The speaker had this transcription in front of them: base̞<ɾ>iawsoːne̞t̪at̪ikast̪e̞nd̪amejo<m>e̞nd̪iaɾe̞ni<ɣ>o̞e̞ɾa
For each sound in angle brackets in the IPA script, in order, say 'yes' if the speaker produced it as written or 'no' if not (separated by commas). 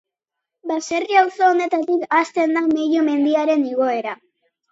no, yes, yes